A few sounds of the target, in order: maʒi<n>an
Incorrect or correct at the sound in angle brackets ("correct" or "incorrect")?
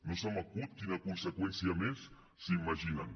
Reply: correct